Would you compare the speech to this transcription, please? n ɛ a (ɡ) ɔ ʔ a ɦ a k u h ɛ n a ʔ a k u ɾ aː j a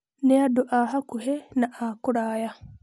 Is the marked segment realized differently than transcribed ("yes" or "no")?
yes